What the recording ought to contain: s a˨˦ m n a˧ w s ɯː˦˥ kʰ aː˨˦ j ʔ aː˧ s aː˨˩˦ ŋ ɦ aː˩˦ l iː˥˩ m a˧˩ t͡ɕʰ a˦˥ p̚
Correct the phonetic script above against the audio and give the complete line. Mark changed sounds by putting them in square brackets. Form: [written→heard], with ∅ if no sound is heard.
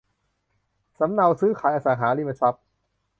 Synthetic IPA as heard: s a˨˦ m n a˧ w s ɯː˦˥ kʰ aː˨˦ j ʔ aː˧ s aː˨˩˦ ŋ ɦ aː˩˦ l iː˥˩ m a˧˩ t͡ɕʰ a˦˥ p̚